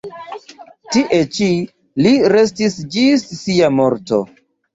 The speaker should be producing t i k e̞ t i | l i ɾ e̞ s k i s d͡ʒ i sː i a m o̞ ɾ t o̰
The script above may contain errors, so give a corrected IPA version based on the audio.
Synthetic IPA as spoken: t i ʔ e̞ t͡ʃ i | l i ɾ e̞ s t i s d͡ʒ i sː i a m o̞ ɾ t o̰